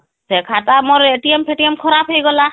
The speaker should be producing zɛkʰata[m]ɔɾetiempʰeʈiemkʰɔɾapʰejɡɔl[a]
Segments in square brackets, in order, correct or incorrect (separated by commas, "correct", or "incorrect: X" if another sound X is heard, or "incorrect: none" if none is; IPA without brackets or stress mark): correct, correct